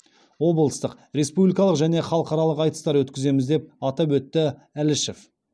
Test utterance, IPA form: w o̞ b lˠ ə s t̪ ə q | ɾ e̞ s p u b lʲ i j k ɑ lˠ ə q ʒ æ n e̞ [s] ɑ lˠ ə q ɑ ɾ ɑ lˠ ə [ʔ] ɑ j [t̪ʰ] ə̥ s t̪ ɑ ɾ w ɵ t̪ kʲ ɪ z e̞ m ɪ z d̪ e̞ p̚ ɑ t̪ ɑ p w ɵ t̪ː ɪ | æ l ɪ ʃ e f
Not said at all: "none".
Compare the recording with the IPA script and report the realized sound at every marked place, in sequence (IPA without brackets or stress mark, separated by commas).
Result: χ, q, t̪